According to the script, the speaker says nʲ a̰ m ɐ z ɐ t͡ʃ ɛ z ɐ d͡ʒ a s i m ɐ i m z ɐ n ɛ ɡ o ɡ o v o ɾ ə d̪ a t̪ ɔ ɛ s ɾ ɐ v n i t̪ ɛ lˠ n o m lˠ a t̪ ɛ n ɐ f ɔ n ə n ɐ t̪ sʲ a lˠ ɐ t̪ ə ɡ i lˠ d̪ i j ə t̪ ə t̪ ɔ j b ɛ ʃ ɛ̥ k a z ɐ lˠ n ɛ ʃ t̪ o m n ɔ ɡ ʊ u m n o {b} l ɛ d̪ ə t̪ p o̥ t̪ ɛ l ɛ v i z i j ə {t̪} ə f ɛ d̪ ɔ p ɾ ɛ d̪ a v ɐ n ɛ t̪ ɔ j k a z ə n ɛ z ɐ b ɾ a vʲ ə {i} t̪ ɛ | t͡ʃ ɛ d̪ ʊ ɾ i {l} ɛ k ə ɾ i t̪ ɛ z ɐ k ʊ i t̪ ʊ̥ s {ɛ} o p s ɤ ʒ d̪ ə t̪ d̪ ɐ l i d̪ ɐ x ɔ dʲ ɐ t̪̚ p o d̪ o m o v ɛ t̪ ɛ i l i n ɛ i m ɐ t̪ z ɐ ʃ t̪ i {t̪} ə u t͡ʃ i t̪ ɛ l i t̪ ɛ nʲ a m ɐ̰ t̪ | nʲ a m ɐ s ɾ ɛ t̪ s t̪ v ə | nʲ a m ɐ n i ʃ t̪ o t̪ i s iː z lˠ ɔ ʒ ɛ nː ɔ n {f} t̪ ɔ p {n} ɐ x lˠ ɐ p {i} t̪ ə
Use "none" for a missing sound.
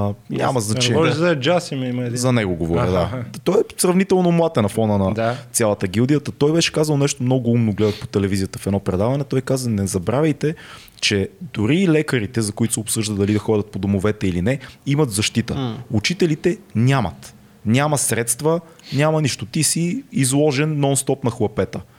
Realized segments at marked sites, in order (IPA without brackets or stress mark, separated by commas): ɡ, t̪, j, l, ɛ, t̪, s, n, ɛ